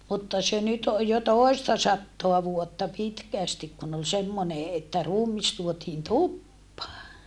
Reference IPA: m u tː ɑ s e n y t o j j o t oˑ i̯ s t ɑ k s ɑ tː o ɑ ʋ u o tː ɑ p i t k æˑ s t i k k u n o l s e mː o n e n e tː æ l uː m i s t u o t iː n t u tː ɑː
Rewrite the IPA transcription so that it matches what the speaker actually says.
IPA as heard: m u tː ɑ s e n y t o j j o t oˑ i̯ s t ɑ s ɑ tː o ɑ ʋ u o tː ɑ p i t k æˑ s t i k k u n o l s e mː o n e e tː æ r uː m i s t u o t iː n t u pː ɑː